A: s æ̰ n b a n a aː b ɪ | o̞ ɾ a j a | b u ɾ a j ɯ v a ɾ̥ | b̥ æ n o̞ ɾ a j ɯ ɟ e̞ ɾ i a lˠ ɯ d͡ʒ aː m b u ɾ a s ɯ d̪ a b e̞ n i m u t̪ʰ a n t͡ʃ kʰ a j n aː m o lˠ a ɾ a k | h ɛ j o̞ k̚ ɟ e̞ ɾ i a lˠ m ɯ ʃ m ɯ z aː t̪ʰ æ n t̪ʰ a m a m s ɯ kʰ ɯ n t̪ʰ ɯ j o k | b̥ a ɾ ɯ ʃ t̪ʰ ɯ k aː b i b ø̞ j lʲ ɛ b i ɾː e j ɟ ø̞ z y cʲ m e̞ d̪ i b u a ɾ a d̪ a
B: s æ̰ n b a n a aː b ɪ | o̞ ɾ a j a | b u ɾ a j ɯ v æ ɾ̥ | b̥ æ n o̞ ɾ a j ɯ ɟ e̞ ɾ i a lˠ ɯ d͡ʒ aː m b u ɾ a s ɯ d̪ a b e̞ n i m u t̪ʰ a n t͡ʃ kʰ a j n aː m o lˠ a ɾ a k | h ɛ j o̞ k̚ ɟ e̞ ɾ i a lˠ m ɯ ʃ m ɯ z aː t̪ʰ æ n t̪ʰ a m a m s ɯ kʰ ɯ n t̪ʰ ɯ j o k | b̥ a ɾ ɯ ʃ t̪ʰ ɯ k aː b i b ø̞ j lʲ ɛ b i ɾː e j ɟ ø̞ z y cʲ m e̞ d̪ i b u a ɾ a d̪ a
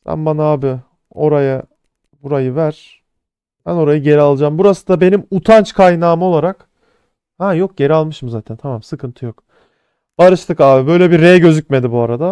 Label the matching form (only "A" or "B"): B